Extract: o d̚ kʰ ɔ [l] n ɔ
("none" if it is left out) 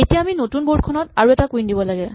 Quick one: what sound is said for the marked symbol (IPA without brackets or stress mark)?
none